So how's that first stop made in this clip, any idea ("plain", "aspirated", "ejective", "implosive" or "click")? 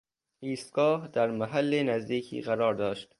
plain